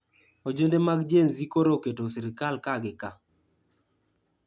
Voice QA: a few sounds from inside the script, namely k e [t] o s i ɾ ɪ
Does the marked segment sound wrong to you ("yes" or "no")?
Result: no